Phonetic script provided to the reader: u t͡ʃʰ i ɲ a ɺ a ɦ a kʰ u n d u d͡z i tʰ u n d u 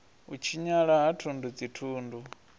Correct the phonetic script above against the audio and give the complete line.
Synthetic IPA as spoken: u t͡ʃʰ i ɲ a ɺ a ɦ a tʰ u n d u d͡z i tʰ uː n d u